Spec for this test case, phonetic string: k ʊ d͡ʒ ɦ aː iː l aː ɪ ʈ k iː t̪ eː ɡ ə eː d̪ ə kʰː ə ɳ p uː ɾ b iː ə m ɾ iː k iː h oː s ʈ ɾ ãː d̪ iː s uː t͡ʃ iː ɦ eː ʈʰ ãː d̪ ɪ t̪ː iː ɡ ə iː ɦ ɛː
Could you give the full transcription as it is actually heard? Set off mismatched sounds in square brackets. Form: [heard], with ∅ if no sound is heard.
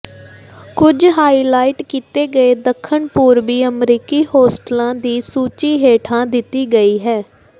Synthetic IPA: k ʊ d͡ʒ ɦ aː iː l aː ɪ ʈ k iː t̪ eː ɡ ə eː d̪ ə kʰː ə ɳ p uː ɾ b iː ə m ɾ iː k iː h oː s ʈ [l] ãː d̪ iː s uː t͡ʃ iː ɦ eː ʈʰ ãː d̪ ɪ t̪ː iː ɡ ə iː ɦ ɛː

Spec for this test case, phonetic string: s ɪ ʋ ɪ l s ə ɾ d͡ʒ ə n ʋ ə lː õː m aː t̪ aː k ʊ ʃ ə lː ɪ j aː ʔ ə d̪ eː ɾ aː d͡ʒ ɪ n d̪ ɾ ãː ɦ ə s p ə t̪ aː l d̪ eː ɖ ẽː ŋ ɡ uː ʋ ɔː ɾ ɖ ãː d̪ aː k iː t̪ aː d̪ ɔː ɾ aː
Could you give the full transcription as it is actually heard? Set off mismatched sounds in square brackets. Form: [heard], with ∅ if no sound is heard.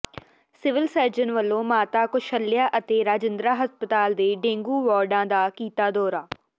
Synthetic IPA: s ɪ ʋ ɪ l s ə ɾ d͡ʒ ə n ʋ ə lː õː m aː t̪ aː k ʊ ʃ ə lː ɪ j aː ʔ ə [t̪] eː ɾ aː d͡ʒ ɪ n d̪ ɾ [aː] ɦ ə s p ə t̪ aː l d̪ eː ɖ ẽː ŋ ɡ uː ʋ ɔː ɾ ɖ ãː d̪ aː k iː t̪ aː d̪ ɔː ɾ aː

